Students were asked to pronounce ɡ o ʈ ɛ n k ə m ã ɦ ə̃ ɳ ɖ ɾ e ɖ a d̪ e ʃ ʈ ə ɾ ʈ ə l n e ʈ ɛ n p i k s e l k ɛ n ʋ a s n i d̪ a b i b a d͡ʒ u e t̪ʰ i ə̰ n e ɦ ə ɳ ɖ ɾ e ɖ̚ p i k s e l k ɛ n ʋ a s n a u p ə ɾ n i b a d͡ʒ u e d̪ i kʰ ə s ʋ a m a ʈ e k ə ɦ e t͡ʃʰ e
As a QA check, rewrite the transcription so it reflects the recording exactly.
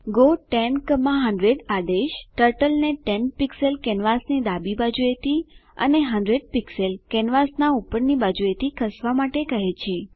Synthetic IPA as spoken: ɡ o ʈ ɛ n k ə m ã ɦ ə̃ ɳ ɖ ɾ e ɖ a d̪ e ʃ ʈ ə ɾ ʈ ə l n e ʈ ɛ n p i k s e l k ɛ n ʋ a s n i d̪ a b i b a d͡ʒ u e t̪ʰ i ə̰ n e ɦ ə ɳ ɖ ɾ e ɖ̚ p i k s e l k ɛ n ʋ a s n a u p ə ɾ n i b a d͡ʒ u e t̪ i kʰ ə s ʋ a m a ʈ e k ə ɦ e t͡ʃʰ e